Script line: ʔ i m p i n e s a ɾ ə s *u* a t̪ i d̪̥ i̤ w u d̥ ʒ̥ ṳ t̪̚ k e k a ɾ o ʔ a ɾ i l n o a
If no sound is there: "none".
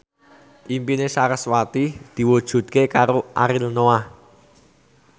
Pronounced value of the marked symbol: w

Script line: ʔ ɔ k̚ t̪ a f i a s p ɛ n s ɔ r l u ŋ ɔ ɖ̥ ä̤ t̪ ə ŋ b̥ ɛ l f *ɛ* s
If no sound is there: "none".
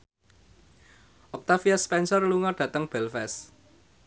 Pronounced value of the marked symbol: ɛ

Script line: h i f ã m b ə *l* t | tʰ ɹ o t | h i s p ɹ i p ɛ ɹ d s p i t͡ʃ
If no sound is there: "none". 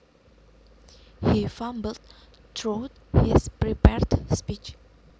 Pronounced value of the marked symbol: l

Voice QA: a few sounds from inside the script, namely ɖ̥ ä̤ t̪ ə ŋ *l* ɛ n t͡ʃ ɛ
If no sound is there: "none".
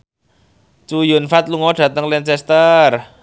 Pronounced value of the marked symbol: l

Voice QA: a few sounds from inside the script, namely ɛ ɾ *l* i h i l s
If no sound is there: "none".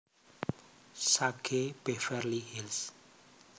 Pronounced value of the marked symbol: l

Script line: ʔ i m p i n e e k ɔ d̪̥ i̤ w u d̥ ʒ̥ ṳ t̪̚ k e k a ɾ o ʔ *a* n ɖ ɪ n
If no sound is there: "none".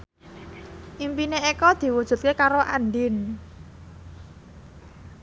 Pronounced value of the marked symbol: a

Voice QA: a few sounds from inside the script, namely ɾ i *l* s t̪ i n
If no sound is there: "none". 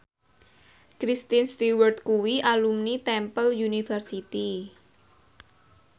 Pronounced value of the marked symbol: none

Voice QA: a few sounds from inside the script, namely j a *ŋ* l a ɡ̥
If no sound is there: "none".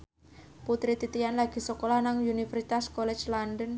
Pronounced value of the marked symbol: n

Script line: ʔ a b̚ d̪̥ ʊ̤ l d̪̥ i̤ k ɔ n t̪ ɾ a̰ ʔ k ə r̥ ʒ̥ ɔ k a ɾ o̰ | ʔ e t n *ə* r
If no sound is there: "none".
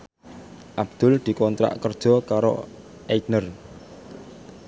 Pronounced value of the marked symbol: ə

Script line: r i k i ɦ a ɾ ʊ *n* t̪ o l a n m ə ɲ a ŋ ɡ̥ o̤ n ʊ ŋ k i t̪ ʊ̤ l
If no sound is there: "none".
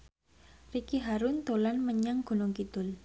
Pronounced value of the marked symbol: n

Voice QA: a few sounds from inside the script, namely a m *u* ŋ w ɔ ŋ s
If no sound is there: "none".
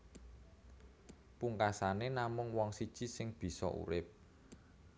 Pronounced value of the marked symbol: ʊ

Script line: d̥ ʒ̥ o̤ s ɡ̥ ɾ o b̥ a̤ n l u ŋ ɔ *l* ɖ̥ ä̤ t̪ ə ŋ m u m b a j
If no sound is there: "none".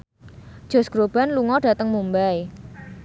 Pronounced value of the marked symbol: none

